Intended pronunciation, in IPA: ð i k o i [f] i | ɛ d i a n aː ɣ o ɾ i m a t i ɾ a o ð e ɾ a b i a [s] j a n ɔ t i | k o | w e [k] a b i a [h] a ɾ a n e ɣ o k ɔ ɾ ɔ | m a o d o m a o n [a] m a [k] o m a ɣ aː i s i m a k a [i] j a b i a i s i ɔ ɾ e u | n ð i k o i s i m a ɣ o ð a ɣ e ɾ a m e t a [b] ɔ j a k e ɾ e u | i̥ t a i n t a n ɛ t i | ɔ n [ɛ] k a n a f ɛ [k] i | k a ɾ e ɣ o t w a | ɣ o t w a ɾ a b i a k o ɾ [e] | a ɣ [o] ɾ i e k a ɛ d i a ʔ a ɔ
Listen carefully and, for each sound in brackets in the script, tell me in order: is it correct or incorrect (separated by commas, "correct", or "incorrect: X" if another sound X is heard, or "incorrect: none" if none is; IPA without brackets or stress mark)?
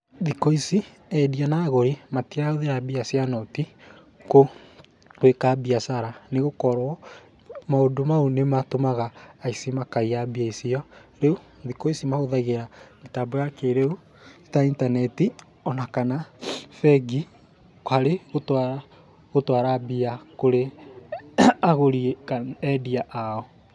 incorrect: s, correct, correct, incorrect: s, incorrect: e, incorrect: t, correct, correct, incorrect: a, incorrect: ɡ, correct, correct